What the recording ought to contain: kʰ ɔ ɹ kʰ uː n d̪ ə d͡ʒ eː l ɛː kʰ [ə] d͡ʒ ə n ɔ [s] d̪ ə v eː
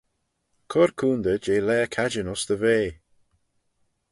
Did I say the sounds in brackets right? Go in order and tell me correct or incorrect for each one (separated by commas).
incorrect, correct